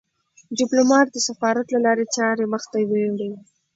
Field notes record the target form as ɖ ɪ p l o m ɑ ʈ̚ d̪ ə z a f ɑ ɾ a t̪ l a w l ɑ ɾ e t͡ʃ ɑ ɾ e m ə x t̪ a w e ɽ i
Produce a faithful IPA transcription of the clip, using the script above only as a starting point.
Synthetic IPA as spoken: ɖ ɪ p l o m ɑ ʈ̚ d̪ ə s a f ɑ ɾ a t̪ l a l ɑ ɾ e t͡ʃ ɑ ɾ e m ə x t̪ a w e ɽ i